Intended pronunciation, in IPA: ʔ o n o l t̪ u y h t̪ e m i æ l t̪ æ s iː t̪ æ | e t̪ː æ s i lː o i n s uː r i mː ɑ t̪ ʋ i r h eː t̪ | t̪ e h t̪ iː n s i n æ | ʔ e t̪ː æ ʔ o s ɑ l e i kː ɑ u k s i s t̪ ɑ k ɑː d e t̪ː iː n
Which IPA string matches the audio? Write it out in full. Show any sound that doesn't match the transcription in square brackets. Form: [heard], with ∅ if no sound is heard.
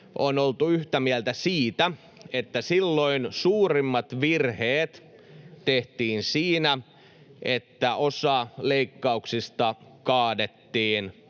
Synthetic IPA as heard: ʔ o n o l t̪ u y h t̪ [æ] m i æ l t̪ æ s iː t̪ æ | e t̪ː æ s i lː o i n s uː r i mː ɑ t̪ ʋ i r h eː t̪ | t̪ e h t̪ iː n s [iː] n æ | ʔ e t̪ː æ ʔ o s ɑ l e i kː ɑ u k s i s t̪ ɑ k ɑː d e t̪ː iː n